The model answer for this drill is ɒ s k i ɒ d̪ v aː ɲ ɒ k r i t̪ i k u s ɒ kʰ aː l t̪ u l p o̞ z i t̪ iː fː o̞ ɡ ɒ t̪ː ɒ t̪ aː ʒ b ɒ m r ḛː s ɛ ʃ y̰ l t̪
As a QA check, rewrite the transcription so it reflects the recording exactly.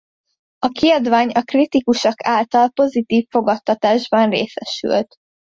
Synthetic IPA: ɒ k i ɒ d̪ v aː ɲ ɒ k r i t̪ i k u ʃ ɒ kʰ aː l t̪ ɒ l p o̞ z i t̪ iː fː o̞ ɡ ɒ t̪ː ɒ t̪ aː ʒ b ɒ n r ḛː s ɛ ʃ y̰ l t̪